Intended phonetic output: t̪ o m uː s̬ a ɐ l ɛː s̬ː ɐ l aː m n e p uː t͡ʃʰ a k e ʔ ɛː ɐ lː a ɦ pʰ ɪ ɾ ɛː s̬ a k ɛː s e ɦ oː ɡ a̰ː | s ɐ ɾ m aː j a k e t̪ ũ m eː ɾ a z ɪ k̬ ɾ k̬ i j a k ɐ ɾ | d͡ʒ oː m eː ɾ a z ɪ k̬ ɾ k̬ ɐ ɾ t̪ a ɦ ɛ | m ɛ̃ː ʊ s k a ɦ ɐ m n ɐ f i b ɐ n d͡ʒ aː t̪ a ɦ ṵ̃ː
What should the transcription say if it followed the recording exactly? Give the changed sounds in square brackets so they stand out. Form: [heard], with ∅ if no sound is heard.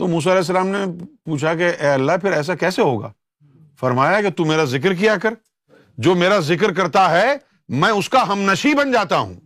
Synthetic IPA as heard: t̪ o m uː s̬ a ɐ l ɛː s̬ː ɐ l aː m n e p uː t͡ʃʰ a k e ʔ ɛː ɐ lː a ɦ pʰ ɪ ɾ ɛː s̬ a k ɛː s e ɦ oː ɡ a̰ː | [f] ɐ ɾ m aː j a k e t̪ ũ m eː ɾ a z ɪ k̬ ɾ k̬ i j a k ɐ ɾ | d͡ʒ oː m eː ɾ a z ɪ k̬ ɾ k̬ ɐ ɾ t̪ a ɦ ɛ | m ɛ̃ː ʊ s k a ɦ ɐ m n ɐ [ʃ] i b ɐ n d͡ʒ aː t̪ a ɦ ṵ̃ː